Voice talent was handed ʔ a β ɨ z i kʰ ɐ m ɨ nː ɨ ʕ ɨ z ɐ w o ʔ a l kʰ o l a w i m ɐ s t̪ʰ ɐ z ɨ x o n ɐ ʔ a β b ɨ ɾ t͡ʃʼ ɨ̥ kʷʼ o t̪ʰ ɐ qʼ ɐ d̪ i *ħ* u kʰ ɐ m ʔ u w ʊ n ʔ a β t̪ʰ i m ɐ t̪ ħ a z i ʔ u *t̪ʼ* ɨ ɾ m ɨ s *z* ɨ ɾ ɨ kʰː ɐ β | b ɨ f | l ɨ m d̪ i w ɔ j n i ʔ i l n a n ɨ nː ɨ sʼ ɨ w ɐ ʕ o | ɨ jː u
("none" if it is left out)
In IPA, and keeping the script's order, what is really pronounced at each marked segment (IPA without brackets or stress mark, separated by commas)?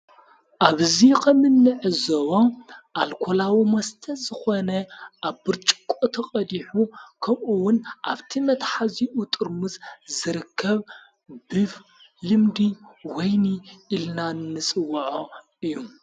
ħ, t̪ʼ, z